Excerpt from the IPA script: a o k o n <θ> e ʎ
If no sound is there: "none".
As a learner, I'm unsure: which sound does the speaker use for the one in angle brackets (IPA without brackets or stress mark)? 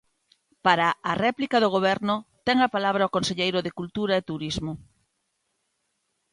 s